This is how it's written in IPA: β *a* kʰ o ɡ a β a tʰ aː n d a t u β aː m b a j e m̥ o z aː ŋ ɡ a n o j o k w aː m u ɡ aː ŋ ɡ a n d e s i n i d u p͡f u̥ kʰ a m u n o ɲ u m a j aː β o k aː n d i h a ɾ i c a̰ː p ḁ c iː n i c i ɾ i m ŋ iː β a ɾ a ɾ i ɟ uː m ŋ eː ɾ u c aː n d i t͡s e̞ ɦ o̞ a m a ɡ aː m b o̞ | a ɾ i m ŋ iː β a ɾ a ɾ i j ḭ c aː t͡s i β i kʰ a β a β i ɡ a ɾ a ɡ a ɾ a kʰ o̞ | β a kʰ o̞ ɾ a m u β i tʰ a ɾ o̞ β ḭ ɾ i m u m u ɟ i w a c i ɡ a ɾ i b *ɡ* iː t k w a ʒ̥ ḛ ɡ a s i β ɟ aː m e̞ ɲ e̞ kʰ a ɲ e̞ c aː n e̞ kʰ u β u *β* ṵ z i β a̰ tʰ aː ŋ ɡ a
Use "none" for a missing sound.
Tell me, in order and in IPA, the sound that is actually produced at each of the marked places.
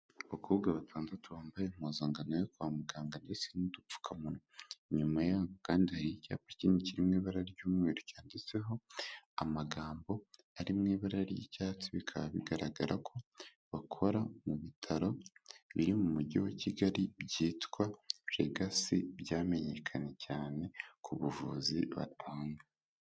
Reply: a, ɟ, v

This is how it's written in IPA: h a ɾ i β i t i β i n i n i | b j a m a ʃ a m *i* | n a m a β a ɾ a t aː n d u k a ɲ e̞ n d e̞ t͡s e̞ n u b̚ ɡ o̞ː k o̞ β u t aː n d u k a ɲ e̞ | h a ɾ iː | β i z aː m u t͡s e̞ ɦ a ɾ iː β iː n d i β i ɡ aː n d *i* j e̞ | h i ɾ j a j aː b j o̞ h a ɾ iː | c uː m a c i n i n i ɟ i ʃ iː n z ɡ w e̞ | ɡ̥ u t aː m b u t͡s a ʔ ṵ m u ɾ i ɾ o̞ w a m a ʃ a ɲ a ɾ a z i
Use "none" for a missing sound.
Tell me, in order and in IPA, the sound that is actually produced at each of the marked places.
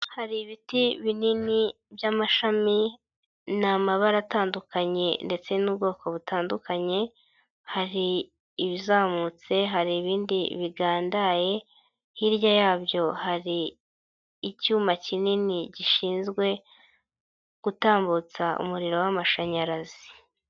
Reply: i, a

